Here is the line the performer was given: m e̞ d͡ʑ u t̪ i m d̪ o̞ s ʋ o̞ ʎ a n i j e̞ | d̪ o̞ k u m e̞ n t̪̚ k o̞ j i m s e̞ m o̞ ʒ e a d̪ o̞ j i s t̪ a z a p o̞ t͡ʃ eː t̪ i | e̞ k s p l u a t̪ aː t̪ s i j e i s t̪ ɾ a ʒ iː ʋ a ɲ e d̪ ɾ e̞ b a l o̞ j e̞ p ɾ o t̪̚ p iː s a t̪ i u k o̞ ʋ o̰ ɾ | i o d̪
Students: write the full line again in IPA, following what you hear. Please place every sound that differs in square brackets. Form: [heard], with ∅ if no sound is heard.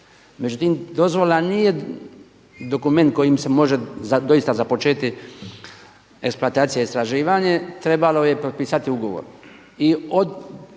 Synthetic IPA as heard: m e̞ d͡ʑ u t̪ i m d̪ o̞ [z] ʋ o̞ [l] a n i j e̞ | d̪ o̞ k u m e̞ n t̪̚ k o̞ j i m s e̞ m o̞ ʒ e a d̪ o̞ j i s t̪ a z a p o̞ t͡ʃ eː t̪ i | e̞ k s p l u a t̪ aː t̪ s i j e i s t̪ ɾ a ʒ iː ʋ a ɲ e [t̪] ɾ e̞ b a l o̞ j e̞ p ɾ o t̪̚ p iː s a t̪ i u [ɡ] o̞ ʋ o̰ ɾ | i o d̪